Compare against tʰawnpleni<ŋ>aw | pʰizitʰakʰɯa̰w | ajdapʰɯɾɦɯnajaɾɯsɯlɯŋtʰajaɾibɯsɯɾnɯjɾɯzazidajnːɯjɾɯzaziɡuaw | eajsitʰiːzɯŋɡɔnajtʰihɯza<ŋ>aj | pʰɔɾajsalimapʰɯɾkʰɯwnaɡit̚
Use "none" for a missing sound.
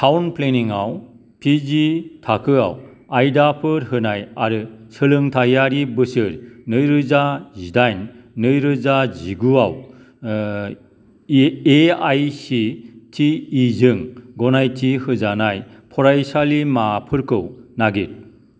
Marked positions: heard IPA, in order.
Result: ŋ, n

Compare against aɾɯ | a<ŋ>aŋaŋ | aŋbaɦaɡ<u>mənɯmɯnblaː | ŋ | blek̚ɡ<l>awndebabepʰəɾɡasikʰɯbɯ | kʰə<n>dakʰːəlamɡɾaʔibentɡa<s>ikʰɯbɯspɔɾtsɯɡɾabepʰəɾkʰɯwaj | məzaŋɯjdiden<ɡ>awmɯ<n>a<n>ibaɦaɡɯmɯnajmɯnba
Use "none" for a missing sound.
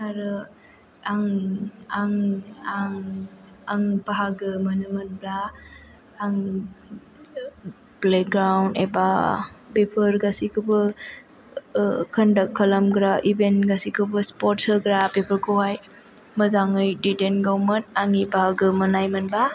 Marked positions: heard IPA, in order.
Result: ŋ, ɯ, ɾ, n, s, ɡ, n, ŋ

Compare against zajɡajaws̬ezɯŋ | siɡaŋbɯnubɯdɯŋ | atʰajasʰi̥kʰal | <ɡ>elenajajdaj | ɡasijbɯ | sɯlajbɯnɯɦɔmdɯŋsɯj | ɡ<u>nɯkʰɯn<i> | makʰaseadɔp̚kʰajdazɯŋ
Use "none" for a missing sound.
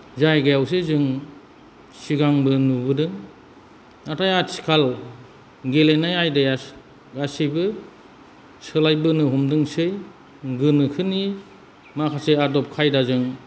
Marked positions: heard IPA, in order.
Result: ɡ, ɯ, i

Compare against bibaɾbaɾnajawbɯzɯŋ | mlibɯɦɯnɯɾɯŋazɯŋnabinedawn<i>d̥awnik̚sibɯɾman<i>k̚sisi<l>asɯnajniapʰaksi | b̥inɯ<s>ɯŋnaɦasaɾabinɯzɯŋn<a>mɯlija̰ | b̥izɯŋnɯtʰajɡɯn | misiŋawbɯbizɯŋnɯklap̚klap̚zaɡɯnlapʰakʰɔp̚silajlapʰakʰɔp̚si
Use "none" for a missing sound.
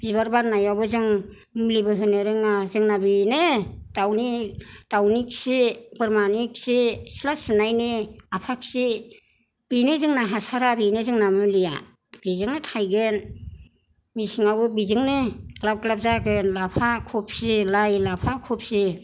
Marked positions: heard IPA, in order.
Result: i, i, l, z, a

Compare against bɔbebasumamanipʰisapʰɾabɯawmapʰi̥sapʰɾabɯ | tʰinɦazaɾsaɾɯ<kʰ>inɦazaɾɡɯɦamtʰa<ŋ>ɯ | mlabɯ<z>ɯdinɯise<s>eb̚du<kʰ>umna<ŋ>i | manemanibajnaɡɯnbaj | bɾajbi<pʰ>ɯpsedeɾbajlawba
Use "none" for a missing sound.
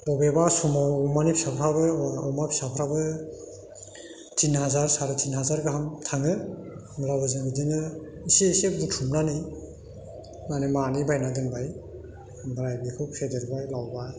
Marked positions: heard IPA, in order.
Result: tʰ, ŋ, z, s, tʰ, n, kʰ

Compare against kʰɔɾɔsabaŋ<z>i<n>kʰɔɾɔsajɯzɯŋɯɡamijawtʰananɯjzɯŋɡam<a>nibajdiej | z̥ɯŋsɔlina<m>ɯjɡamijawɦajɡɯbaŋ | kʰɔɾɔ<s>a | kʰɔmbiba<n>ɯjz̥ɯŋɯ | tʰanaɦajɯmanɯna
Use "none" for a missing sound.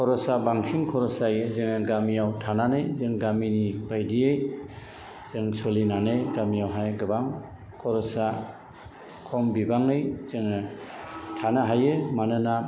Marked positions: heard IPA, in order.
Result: s, ŋ, i, n, s, ŋ

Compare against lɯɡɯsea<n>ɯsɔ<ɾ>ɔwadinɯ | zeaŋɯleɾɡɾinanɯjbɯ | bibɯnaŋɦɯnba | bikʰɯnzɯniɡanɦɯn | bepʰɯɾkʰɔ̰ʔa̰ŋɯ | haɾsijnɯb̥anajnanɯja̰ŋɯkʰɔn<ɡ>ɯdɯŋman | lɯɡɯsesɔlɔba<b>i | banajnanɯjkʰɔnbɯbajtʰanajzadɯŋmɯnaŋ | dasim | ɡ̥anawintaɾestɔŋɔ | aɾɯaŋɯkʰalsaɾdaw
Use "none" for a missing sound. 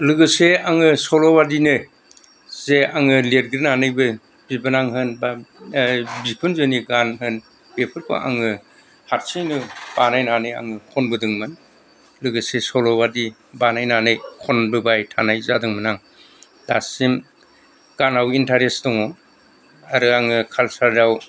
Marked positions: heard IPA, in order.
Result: ŋ, l, b, d

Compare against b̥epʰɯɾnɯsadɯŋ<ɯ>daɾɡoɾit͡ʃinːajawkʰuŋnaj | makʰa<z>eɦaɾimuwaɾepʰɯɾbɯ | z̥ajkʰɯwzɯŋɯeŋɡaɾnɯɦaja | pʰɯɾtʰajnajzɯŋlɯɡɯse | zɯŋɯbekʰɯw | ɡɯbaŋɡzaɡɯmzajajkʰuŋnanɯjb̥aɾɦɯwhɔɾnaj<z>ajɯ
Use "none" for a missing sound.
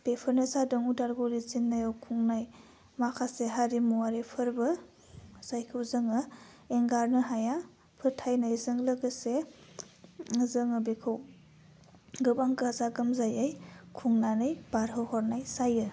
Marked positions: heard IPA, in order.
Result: u, s, s

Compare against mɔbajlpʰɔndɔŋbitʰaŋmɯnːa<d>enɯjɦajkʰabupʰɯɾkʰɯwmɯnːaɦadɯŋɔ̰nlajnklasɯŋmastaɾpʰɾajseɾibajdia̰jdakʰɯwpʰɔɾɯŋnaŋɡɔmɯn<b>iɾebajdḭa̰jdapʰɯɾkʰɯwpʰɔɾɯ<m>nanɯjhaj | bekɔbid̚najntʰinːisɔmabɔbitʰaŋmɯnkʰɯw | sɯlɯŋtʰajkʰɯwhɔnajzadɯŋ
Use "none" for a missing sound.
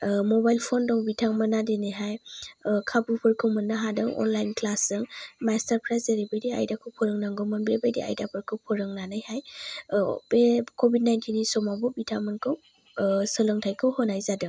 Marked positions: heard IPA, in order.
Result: d, b, ŋ

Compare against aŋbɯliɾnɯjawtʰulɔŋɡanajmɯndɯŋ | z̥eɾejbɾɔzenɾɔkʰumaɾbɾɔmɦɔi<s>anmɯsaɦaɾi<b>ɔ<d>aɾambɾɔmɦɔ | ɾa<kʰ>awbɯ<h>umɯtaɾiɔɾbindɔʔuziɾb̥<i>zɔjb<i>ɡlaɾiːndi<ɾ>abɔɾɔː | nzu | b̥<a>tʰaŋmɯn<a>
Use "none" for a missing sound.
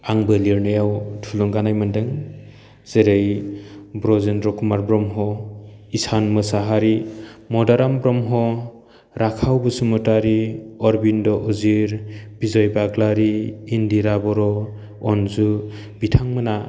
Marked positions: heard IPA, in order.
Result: s, m, d, kʰ, s, i, a, ɾ, i, a

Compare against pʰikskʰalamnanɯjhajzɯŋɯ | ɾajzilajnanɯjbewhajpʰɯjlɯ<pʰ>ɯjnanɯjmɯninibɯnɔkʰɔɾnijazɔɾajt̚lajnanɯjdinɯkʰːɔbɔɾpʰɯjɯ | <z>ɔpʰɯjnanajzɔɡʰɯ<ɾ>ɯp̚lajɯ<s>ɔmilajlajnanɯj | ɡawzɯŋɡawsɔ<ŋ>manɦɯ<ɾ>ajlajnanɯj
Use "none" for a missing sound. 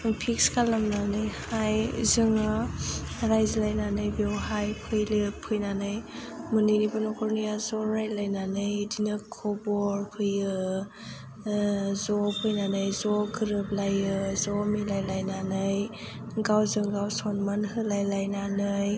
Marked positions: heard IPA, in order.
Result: pʰ, z, ɾ, z, n, l

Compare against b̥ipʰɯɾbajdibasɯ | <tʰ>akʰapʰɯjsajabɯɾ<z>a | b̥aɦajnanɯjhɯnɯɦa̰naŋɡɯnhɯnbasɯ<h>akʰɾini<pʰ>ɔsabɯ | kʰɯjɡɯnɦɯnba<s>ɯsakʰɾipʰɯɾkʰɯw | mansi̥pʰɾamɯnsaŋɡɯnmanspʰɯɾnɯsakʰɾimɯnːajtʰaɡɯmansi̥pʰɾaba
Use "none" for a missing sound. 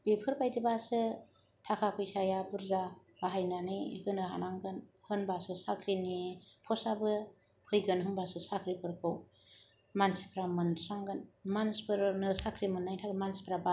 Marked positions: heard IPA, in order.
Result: tʰ, z, s, pʰ, s

